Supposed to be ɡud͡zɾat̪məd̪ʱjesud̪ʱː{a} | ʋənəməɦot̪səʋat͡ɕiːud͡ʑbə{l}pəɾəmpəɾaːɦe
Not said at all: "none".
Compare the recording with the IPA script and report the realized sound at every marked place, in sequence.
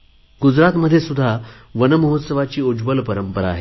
a, l

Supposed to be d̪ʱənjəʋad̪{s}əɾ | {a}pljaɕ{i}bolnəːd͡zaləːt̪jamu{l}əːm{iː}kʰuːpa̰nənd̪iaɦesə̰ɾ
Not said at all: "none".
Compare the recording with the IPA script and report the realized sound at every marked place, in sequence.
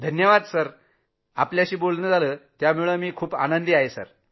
s, a, iː, ɭ, iː

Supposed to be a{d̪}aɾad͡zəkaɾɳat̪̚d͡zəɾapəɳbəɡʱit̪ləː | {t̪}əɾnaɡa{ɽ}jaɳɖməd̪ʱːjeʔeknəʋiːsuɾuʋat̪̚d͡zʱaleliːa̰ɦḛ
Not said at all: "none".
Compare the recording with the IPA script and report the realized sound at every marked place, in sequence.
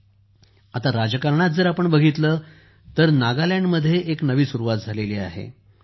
t̪, t̪, l

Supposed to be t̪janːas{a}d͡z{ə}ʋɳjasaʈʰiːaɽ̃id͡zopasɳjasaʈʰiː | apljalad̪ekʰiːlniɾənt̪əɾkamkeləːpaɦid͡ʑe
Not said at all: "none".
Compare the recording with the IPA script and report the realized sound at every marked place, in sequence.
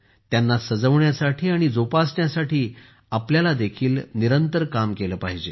ə, ə

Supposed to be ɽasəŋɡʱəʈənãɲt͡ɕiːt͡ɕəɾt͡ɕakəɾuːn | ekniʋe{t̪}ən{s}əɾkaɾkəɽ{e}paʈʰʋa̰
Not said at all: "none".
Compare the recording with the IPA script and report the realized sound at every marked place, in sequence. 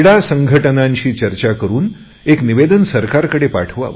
d̪, s, e

